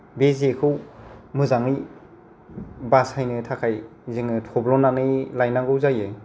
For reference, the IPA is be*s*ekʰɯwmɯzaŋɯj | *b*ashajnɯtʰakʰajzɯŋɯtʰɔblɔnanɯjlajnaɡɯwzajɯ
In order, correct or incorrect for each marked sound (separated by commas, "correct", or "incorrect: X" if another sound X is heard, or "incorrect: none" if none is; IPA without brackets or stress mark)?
incorrect: z, correct